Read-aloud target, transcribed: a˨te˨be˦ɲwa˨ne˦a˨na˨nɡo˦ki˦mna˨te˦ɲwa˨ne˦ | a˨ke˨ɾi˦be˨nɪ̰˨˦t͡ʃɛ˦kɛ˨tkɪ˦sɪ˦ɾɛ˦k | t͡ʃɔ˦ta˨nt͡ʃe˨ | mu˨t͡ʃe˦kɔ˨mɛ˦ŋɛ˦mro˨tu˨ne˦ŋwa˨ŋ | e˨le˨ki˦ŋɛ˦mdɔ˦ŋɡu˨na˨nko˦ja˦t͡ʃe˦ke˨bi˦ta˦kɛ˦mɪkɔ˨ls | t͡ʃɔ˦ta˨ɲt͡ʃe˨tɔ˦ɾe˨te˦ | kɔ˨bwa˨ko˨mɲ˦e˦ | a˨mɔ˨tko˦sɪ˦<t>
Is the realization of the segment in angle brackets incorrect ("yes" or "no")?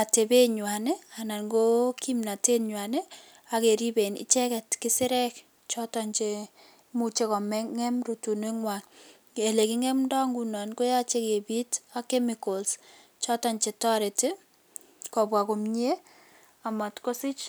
yes